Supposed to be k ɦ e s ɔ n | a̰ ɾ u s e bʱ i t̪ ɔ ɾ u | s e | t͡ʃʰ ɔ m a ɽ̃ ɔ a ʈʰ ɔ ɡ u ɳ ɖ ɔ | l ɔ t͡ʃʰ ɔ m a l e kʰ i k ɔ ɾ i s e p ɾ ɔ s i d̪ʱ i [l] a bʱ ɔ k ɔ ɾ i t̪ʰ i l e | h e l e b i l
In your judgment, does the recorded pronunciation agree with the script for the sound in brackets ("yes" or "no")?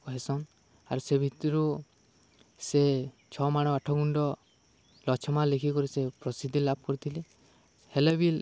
yes